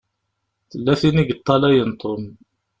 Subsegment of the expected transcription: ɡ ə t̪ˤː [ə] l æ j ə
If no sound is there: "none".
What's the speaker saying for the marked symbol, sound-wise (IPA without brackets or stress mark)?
ɑ